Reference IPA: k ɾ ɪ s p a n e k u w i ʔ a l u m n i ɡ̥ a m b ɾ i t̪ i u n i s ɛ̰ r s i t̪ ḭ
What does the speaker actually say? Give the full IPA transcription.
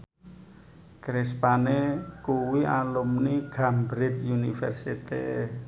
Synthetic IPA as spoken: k ɾ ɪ s p a n e k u w i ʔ a l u m n i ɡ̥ a m b ɾ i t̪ j u n i f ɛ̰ r s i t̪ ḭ